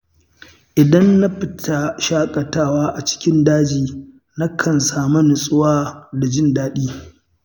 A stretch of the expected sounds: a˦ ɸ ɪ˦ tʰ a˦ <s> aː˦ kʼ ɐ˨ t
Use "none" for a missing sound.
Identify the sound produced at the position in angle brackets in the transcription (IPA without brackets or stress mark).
ʃ